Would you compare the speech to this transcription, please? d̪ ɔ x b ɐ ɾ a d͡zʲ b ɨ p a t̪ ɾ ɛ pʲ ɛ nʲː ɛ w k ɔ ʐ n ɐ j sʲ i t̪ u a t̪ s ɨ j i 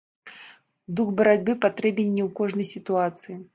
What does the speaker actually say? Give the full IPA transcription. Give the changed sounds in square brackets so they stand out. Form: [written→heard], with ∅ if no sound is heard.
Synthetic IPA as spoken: d̪ [ɔ→u] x b ɐ ɾ a d͡zʲ b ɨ p a t̪ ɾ ɛ [pʲ→bʲ] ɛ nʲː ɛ w k ɔ ʐ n ɐ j sʲ i t̪ u a t̪ s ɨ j i

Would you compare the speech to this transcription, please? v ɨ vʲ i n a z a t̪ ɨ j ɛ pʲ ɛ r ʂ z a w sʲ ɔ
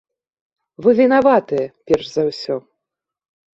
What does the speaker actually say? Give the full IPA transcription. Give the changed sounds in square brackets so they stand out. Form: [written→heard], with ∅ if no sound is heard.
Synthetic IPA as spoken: v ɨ vʲ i n a [z→v] a t̪ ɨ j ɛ pʲ ɛ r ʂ z a w sʲ ɔ

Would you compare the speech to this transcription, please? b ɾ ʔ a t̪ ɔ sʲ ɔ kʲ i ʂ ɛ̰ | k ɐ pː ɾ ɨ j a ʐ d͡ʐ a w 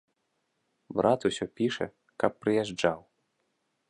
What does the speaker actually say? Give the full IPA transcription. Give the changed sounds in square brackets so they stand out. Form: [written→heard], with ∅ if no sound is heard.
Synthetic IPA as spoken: b ɾ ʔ a t̪ [ɔ→u] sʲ ɔ [kʲ→pʲ] i ʂ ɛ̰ | k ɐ pː ɾ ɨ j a ʐ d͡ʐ a w

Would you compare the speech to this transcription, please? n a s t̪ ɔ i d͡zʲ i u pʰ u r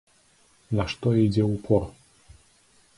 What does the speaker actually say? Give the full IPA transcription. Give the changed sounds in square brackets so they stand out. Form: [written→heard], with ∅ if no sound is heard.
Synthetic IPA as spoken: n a [s→ʂ] t̪ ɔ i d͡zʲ [i→ɛ] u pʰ [u→ɔ] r

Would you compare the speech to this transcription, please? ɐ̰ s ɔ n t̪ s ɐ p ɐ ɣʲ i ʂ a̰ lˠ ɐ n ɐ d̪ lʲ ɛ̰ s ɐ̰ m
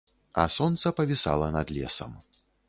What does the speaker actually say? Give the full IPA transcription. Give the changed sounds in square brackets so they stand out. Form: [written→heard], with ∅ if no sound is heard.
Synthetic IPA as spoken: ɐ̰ s ɔ n t̪ s ɐ p ɐ [ɣʲ→vʲ] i [ʂ→s] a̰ lˠ ɐ n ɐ d̪ lʲ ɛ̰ s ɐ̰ m

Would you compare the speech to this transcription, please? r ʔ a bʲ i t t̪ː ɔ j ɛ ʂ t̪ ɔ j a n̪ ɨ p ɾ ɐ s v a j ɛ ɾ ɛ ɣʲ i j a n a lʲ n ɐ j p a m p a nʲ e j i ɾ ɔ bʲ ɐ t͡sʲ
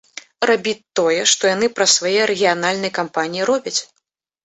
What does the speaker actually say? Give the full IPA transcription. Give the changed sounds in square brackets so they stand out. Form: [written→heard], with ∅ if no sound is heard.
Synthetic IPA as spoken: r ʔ a bʲ i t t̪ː ɔ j ɛ ʂ t̪ ɔ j a n̪ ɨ p ɾ ɐ s v a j ɛ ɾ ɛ ɣʲ i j a n a lʲ n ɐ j [p→k] a m p a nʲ [e→i] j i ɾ ɔ bʲ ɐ t͡sʲ

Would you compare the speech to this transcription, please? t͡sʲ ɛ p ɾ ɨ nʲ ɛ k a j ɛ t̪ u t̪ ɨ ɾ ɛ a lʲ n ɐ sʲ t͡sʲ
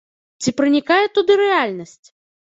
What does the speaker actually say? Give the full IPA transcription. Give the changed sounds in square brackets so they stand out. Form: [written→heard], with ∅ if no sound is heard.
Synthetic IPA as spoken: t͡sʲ [ɛ→i] p ɾ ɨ nʲ [ɛ→i] k a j ɛ t̪ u [t̪→d̪] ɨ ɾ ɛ a lʲ n ɐ sʲ t͡sʲ

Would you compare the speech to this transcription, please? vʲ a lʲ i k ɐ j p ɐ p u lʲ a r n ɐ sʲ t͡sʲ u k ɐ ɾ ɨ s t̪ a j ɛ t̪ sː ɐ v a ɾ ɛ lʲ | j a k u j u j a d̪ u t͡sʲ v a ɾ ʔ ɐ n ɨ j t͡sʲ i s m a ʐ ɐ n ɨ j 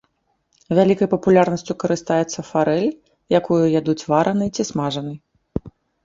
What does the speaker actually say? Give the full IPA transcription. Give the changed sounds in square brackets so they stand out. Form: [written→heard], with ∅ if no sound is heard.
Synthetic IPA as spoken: vʲ a lʲ i k ɐ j p ɐ p u lʲ a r n ɐ sʲ t͡sʲ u k ɐ ɾ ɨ s t̪ a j ɛ t̪ sː ɐ [v→f] a ɾ ɛ lʲ | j a k u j u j a d̪ u t͡sʲ v a ɾ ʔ ɐ n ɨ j t͡sʲ i s m a ʐ ɐ n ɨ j

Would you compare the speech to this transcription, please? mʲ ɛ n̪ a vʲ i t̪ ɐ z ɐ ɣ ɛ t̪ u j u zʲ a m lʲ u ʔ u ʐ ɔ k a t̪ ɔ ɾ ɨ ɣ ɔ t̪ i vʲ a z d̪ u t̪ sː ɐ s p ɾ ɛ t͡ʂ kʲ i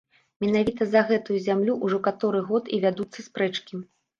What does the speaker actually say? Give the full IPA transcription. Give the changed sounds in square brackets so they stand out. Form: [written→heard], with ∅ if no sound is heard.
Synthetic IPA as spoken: mʲ ɛ n̪ a vʲ i t̪ ɐ z ɐ ɣ ɛ t̪ u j u zʲ a m lʲ u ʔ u ʐ ɔ k a t̪ ɔ ɾ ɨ ɣ ɔ t̪ i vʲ a [z→∅] d̪ u t̪ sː ɐ s p ɾ ɛ t͡ʂ kʲ i

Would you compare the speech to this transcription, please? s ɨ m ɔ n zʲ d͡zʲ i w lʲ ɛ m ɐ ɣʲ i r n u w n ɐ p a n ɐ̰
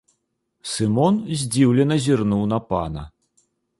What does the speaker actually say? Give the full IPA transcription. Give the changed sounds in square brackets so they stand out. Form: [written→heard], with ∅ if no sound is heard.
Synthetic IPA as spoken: s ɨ m ɔ n zʲ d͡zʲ i w lʲ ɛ [m→n] ɐ [ɣʲ→zʲ] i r n u w n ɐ p a n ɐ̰

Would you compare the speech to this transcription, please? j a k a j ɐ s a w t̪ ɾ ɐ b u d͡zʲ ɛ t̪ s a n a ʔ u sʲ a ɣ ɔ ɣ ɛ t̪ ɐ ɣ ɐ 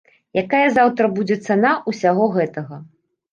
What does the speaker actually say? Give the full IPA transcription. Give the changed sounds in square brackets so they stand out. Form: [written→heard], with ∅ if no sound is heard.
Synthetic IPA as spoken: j a k a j ɐ [s→z] a w t̪ ɾ ɐ b u d͡zʲ ɛ t̪ s a n a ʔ u sʲ a ɣ ɔ ɣ ɛ t̪ ɐ ɣ ɐ

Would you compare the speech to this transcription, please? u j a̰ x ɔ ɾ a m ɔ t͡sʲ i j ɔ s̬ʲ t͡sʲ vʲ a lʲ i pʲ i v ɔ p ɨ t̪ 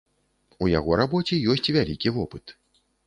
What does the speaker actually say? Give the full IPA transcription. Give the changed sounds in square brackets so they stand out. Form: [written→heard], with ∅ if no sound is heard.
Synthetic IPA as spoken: u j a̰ [x→ɣ] ɔ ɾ a [m→b] ɔ t͡sʲ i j ɔ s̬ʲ t͡sʲ vʲ a lʲ i [pʲ→kʲ] i v ɔ p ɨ t̪

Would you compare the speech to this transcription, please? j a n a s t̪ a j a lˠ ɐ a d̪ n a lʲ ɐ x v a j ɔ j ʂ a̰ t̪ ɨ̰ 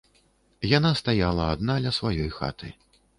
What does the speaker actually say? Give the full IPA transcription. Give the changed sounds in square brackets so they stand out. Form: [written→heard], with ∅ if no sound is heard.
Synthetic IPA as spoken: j a n a s t̪ a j a lˠ ɐ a d̪ n a lʲ ɐ [x→s] v a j ɔ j [ʂ→x] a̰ t̪ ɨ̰

